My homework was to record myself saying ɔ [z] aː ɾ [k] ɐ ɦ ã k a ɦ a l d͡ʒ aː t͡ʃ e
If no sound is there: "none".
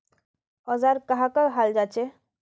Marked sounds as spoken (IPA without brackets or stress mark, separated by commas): z, k